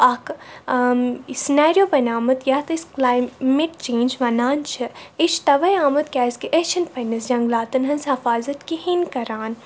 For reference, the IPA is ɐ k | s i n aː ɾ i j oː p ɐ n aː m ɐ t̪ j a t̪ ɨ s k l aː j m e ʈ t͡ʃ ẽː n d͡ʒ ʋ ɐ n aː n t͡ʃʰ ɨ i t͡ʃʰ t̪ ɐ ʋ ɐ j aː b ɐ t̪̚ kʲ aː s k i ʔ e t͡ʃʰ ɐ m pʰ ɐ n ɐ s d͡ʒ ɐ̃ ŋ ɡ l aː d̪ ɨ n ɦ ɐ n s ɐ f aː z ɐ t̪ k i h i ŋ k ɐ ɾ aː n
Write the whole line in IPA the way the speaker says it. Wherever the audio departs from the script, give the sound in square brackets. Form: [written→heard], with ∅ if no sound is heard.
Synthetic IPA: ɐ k | s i n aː ɾ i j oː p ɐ n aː m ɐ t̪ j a t̪ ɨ s k l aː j m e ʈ t͡ʃ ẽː n d͡ʒ ʋ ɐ n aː n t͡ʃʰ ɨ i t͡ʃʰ t̪ ɐ ʋ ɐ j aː [b→m] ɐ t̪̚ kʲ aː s k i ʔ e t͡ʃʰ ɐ [m→n] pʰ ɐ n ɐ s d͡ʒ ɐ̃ ŋ ɡ l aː [d̪→t̪] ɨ n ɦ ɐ n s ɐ f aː z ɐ t̪ k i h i [ŋ→n] k ɐ ɾ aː n